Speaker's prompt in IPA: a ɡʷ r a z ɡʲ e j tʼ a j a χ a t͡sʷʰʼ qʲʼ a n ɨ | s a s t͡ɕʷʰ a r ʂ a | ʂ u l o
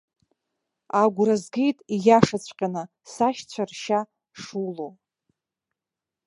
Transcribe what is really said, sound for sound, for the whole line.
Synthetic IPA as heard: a ɡʷ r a z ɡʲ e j tʼ i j a ʂ a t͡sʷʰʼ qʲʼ a n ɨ | s a ʃ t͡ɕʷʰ a r ʃ a | ʂ u l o